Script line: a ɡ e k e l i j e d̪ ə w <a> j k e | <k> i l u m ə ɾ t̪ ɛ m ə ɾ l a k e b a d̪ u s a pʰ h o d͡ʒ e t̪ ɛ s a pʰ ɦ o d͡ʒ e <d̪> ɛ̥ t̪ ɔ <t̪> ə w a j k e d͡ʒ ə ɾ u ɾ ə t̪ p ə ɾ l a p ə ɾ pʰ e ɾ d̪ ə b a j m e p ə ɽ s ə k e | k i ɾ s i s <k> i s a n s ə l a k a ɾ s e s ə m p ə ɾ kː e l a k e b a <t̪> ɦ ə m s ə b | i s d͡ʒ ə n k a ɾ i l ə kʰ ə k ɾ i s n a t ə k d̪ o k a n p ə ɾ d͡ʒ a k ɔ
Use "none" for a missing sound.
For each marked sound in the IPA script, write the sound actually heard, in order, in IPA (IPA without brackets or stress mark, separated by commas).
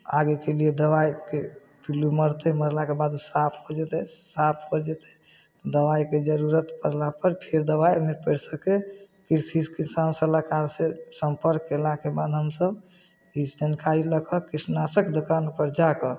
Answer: a, p, t̪, d̪, k, d̪